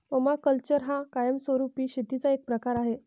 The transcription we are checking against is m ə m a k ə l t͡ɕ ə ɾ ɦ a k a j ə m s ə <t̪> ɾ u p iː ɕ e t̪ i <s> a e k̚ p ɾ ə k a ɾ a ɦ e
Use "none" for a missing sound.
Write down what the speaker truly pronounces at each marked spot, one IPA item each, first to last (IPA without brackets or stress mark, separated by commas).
none, t͡s